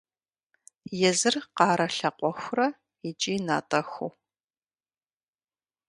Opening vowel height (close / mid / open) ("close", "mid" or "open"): mid